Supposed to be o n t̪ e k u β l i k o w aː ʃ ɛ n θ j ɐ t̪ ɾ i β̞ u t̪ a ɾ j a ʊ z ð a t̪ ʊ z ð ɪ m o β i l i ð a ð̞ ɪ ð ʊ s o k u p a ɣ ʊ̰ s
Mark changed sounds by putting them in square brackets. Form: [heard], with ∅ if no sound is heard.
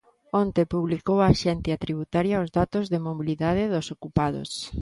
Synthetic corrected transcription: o n t̪ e [p] u β l i k o w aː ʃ ɛ n θ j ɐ t̪ ɾ i β̞ u t̪ a ɾ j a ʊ z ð a t̪ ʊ z ð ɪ m o β i l i ð a ð̞ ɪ ð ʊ s o k u p a [ð] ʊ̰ s